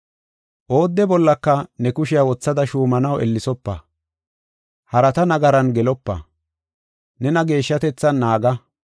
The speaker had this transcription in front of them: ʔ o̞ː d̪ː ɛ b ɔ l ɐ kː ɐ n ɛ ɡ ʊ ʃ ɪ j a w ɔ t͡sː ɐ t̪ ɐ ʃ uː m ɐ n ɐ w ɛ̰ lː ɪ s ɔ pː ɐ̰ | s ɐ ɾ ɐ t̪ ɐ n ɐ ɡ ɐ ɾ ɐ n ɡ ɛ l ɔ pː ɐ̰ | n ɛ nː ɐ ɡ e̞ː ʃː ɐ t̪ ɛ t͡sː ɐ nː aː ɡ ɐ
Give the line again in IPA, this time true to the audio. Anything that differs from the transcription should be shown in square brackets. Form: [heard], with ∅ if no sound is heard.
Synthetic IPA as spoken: ʔ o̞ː d̪ː ɛ b ɔ [lː] ɐ kː ɐ n ɛ [k] ʊ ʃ ɪ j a w ɔ t͡sː ɐ [d̪] ɐ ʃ uː m ɐ n ɐ w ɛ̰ lː ɪ s ɔ pː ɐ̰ | [h] ɐ ɾ ɐ t̪ ɐ n ɐ ɡ ɐ ɾ ɐ n ɡ ɛ l ɔ pː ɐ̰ | n ɛ [n] ɐ ɡ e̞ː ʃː ɐ t̪ ɛ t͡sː ɐ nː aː ɡ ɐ